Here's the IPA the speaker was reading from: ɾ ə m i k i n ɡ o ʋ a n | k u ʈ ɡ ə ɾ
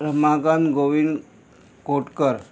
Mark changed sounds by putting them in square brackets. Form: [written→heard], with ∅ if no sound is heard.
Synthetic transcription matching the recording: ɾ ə m [i→a] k [i→a] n ɡ o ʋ [a→i] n | k [u→o] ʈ [ɡ→k] ə ɾ

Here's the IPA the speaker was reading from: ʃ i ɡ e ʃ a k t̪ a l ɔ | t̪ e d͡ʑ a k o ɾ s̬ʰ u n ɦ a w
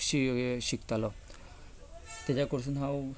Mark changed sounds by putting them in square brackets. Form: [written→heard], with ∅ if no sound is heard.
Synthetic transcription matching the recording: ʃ i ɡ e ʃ [a→i] k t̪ a l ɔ | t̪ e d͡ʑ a k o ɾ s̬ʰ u n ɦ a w

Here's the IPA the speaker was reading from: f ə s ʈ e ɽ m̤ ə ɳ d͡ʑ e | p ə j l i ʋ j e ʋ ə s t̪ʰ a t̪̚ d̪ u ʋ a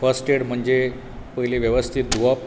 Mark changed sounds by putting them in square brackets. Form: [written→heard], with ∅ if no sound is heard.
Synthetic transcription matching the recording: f ə s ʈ e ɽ m̤ ə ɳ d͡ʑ e | p ə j l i ʋ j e ʋ ə s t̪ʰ [a→i] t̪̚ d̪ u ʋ a

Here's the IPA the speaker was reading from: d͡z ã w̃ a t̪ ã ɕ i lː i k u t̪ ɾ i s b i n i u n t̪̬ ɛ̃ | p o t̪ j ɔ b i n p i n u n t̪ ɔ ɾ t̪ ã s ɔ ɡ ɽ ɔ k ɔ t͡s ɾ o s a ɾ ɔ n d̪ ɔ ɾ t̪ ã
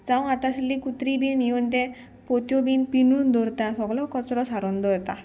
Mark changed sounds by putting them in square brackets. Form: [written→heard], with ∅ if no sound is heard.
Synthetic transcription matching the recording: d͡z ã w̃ a t̪ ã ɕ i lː i k u t̪ ɾ i [s→∅] b i n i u n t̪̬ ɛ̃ | p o t̪ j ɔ b i n p i n u n [t̪→d̪] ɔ ɾ t̪ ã s ɔ ɡ [ɽ→l] ɔ k ɔ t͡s ɾ [o→ɔ] s a ɾ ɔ n d̪ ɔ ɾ t̪ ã

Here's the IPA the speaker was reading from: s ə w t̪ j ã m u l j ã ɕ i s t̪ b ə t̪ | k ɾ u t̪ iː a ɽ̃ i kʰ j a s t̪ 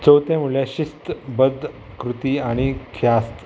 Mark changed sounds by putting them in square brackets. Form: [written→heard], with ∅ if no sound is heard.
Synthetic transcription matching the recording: [s→t͡s] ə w t̪ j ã m u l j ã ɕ i s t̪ b ə [t̪→d̪] | k ɾ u t̪ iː a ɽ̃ i kʰ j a s t̪

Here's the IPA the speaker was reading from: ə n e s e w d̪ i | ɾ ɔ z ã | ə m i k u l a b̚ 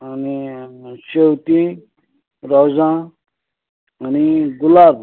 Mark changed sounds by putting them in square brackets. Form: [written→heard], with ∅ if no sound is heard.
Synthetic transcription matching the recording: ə n [e→i] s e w [d̪→t̪] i | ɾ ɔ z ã | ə [m→n] i [k→ɡ] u l a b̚

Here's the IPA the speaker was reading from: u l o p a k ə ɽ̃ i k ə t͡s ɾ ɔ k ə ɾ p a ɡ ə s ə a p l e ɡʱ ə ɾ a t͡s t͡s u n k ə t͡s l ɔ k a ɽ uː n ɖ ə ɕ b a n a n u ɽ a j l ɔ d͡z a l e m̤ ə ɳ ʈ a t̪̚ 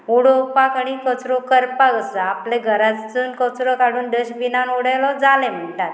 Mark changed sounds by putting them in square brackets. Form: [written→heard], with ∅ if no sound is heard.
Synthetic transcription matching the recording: u [l→ɽ] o p a k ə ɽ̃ i k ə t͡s ɾ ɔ k ə ɾ p a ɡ ə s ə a p l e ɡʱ ə ɾ a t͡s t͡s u n k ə t͡s [l→ɾ] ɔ k a ɽ uː n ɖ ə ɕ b [a→i] n a n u ɽ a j l ɔ d͡z a l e m̤ ə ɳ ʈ a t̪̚

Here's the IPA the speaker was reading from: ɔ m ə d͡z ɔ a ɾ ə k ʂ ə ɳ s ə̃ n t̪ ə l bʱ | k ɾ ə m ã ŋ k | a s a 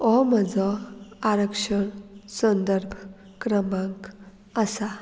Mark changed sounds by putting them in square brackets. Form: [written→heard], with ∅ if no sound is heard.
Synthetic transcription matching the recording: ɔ m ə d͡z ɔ a ɾ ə k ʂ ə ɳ s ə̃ n [t̪→d̪] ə [l→ɾ] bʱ | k ɾ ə m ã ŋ k | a s a

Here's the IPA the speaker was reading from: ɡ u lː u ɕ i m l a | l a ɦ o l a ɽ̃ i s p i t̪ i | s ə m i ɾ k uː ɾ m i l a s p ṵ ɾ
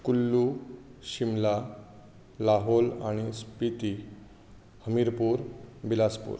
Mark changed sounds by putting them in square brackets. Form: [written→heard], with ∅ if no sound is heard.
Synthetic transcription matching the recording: [ɡ→k] u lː u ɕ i m l a | l a ɦ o l a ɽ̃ i s p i t̪ i | [s→h] ə m i ɾ [k→p] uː ɾ [m→b] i l a s p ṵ ɾ

